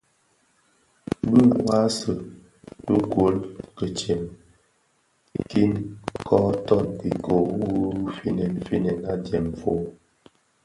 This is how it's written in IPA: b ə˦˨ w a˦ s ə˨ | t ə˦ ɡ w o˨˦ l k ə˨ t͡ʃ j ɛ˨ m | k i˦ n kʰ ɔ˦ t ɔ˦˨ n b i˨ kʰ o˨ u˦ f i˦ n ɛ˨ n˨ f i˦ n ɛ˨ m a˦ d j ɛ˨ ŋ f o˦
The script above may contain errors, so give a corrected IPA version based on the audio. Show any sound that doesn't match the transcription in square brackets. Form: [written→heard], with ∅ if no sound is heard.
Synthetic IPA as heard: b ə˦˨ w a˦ s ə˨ | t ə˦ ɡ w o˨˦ l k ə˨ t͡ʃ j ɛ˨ m | k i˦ n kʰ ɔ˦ t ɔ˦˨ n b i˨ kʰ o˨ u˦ f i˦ n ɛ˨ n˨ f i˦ n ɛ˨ [m→n] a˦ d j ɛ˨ [ŋ→m] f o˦